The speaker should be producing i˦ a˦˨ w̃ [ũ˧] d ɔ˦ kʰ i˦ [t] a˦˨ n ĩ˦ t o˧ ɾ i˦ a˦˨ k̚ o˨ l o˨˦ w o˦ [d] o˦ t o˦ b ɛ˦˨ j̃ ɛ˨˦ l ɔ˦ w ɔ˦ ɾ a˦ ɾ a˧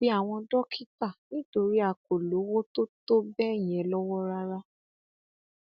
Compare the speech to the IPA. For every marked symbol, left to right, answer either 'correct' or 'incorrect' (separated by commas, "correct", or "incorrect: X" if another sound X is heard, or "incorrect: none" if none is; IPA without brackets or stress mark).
incorrect: ɔ̃˧, correct, incorrect: t